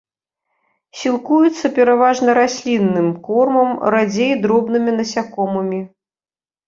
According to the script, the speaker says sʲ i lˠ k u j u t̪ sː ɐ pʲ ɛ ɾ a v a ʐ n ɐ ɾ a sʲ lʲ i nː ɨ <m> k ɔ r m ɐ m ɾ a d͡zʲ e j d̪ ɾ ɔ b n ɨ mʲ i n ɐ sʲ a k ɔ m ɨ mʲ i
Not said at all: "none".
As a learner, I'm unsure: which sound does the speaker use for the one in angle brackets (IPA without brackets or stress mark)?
m